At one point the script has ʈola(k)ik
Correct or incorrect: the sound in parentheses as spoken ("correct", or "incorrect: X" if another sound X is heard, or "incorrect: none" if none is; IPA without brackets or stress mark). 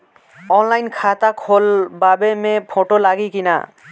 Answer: incorrect: ɡ